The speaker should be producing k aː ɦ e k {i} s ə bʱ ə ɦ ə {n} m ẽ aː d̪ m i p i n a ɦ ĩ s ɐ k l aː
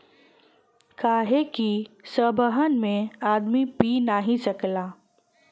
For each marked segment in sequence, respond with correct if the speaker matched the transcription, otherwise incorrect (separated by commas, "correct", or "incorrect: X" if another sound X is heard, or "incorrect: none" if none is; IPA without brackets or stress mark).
correct, correct